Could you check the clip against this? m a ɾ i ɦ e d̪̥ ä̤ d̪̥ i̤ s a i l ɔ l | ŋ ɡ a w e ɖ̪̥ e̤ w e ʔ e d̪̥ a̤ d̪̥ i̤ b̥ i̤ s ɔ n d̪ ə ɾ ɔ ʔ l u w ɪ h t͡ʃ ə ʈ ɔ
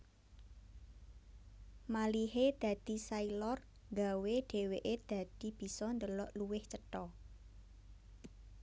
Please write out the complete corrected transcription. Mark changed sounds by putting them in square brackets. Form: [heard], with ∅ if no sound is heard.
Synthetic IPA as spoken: m a [l] i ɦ e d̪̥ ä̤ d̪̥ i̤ s a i l ɔ [r] | ŋ ɡ a w e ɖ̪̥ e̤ w e ʔ e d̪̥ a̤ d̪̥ i̤ b̥ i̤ s ɔ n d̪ ə [l] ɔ ʔ l u w ɪ h t͡ʃ ə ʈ ɔ

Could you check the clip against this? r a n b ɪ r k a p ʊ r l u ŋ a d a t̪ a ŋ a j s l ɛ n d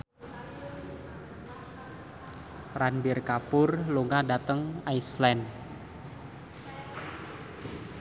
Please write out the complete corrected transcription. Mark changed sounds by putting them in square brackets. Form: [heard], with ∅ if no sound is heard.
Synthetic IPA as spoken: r a n b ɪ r k a p ʊ r l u ŋ a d a t̪ [ə] ŋ a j s l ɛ n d

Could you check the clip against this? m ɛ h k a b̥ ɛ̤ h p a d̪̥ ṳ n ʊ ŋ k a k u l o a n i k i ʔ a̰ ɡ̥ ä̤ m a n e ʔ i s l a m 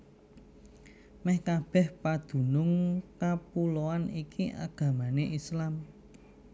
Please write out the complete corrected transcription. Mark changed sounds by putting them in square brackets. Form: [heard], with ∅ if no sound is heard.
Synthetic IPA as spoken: m ɛ h k a b̥ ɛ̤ h p a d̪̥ ṳ n ʊ ŋ k a [p] u l o a n i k i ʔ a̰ ɡ̥ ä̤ m a n e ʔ i s l a m

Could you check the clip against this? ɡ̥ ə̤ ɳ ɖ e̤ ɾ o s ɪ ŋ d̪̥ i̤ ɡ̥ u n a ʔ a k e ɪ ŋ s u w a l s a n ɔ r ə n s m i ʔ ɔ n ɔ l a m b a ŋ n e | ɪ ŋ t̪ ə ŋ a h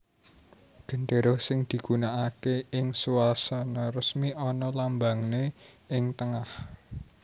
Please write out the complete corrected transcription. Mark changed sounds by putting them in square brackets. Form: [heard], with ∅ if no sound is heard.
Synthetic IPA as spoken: ɡ̥ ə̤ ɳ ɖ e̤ ɾ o s ɪ ŋ d̪̥ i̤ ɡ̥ u n a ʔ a k e ɪ ŋ s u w a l s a n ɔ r ə [∅] s m i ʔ ɔ n ɔ l a m b a ŋ n e | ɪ ŋ t̪ ə ŋ a h

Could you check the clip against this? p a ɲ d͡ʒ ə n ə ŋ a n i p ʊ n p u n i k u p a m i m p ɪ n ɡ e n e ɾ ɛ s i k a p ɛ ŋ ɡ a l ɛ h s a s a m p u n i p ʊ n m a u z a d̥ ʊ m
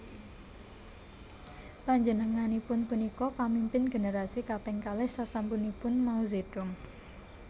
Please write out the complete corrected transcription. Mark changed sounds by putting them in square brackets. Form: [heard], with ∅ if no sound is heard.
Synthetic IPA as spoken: p a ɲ d͡ʒ ə n ə ŋ a n i p ʊ n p u n i k [ɔ] p a m i m p ɪ n ɡ e n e ɾ [a] s i k a p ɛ ŋ [k] a l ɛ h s a s a m p u n i p ʊ n m a u z [e] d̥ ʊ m

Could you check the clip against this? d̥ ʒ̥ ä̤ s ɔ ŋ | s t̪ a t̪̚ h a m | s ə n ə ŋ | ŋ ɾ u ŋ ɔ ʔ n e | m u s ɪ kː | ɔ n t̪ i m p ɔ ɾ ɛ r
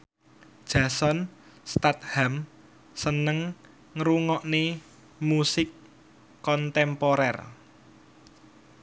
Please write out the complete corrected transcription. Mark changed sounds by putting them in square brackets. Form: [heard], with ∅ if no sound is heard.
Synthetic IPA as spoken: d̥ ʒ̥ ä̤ s ɔ [n] | s t̪ a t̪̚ h a m | s ə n ə ŋ | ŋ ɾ u ŋ ɔ ʔ n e | m u s ɪ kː | ɔ n t̪ [ɛ] m p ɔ ɾ ɛ r

